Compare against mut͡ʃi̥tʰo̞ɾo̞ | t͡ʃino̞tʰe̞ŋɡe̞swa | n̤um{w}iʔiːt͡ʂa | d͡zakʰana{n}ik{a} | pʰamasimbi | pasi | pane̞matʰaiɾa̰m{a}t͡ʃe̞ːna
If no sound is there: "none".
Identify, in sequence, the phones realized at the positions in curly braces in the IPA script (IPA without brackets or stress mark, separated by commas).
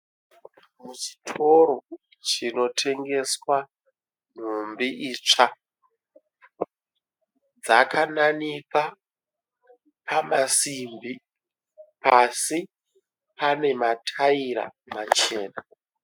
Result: b, n, a, a